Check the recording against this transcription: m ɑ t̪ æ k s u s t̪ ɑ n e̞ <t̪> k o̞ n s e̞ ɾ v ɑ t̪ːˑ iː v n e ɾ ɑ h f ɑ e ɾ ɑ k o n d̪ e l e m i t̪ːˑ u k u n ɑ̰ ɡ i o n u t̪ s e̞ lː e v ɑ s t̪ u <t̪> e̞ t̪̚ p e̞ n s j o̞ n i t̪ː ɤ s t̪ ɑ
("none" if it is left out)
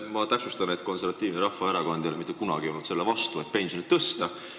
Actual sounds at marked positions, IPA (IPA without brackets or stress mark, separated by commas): t̪, none